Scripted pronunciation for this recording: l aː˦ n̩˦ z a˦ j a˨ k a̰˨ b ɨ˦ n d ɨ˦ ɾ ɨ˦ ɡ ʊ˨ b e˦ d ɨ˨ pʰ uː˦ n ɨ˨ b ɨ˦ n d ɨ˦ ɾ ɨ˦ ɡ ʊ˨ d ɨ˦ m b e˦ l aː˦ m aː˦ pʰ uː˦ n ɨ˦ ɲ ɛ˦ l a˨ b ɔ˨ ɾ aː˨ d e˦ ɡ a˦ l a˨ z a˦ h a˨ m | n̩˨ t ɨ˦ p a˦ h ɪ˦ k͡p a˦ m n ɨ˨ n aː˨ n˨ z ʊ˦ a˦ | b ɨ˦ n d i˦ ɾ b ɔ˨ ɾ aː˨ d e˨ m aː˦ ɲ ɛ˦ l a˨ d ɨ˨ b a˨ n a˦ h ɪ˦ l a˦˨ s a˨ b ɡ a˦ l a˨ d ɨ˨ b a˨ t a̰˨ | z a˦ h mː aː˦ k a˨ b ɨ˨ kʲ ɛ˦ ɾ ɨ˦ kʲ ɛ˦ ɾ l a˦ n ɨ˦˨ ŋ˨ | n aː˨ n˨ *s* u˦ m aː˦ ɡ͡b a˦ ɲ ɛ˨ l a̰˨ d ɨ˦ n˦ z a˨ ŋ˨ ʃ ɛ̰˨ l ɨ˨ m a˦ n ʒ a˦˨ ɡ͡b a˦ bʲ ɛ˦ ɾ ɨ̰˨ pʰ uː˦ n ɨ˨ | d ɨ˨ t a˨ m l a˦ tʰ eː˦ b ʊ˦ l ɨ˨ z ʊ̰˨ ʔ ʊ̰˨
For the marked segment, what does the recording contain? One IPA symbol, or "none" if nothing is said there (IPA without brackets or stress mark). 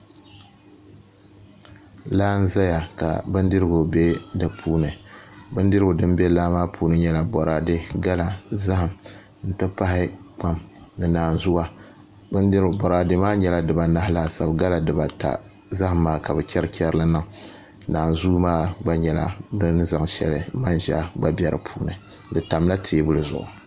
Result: z